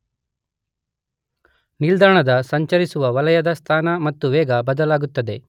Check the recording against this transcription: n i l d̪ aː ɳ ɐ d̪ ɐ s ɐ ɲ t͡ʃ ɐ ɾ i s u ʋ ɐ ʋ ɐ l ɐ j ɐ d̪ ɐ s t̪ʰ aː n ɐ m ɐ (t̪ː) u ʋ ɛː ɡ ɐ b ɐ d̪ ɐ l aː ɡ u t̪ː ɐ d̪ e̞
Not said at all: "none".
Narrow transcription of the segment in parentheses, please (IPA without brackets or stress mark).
t̪ː